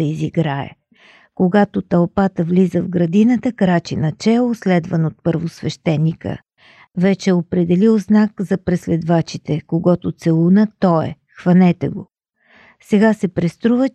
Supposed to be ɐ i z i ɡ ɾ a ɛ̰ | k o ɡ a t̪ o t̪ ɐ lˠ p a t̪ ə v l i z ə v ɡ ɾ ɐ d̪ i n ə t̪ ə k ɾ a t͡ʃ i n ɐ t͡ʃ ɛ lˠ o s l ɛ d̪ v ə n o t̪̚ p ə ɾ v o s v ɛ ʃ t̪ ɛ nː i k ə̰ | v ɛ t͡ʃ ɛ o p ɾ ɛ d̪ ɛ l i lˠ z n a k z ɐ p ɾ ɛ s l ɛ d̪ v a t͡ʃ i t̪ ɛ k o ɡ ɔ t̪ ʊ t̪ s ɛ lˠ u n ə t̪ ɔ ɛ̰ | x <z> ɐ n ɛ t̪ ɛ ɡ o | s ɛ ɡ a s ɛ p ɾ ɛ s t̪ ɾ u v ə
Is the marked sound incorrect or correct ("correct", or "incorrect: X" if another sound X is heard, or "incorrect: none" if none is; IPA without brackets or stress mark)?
incorrect: v